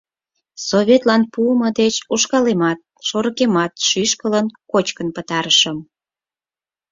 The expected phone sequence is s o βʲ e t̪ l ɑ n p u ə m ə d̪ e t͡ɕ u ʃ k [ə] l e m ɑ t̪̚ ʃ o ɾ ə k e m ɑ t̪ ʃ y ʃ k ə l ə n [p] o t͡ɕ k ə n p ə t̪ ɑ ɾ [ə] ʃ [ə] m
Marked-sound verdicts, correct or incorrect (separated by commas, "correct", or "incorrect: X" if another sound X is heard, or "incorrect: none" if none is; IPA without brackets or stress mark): incorrect: ɑ, incorrect: k, correct, correct